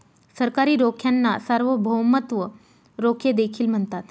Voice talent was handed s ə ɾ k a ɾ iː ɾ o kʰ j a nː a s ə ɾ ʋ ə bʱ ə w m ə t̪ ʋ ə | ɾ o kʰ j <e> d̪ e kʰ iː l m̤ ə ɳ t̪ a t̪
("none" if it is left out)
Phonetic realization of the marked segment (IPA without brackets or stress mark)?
e